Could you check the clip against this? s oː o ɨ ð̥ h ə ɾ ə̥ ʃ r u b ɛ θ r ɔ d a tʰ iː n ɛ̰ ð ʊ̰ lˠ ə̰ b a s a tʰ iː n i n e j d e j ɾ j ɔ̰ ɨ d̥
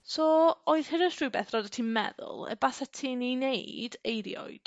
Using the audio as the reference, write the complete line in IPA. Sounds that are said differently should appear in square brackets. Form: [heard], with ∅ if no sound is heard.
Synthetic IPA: s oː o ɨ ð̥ h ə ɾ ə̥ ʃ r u b ɛ θ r ɔ d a tʰ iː [m] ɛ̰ ð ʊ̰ lˠ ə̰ b a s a tʰ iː n i n e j d e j ɾ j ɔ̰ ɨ d̥